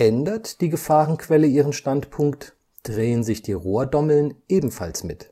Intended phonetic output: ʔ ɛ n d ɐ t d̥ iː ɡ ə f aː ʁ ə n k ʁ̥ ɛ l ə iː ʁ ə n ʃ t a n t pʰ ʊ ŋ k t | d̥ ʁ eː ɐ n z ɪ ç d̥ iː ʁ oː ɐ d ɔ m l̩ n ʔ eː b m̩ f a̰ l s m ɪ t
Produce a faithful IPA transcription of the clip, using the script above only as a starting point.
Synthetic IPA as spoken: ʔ ɛ n d ɐ t d̥ iː ɡ ə f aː ʁ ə n k v̥ ɛ l ə iː ʁ ə n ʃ t a n t pʰ ʊ ŋ k t | d̥ ʁ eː ə n z ɪ ç d̥ iː ʁ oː ɐ d ɔ m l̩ n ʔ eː b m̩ f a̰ l s m ɪ t